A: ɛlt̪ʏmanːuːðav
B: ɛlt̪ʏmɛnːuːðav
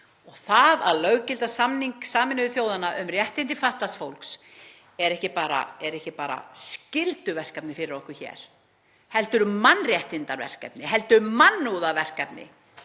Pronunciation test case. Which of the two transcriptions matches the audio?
A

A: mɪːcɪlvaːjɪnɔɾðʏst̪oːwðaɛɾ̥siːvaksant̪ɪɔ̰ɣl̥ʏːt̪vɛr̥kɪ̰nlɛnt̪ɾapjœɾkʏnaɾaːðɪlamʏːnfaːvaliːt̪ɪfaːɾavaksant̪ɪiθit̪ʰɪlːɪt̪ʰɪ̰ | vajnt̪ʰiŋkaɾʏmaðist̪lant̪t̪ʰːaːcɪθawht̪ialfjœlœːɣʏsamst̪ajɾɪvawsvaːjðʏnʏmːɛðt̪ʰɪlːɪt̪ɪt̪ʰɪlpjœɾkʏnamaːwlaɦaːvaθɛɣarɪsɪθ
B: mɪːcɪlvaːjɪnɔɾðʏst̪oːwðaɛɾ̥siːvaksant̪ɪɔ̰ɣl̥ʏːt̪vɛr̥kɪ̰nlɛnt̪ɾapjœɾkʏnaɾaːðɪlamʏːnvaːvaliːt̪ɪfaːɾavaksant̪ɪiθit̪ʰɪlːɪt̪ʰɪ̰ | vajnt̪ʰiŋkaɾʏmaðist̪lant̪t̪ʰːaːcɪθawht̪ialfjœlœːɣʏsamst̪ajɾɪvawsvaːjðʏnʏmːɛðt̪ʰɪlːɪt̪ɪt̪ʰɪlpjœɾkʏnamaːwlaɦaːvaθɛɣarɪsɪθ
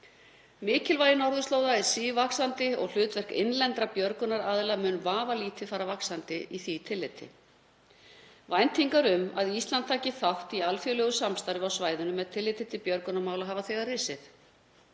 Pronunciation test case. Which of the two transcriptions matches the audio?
B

